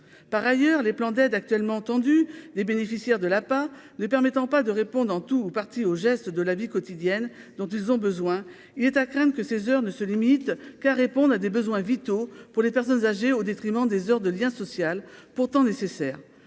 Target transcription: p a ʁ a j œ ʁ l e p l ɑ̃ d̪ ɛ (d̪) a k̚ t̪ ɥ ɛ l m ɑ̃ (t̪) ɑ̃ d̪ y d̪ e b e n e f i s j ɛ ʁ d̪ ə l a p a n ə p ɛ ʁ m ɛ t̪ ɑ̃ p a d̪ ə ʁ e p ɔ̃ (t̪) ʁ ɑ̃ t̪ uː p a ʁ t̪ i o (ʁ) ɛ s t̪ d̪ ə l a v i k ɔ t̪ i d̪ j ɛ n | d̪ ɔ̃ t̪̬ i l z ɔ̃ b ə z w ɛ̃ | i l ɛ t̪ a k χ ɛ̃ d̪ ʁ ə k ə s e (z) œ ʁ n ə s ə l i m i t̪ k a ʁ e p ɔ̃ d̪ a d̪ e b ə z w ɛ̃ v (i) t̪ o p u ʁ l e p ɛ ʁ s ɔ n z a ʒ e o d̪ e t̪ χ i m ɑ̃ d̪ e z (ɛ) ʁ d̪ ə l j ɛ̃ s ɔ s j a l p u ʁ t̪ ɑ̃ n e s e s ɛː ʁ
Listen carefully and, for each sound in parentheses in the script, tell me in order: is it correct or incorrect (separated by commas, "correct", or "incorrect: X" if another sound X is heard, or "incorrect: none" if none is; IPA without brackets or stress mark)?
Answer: correct, correct, incorrect: d̪, incorrect: ʒ, correct, correct, incorrect: œ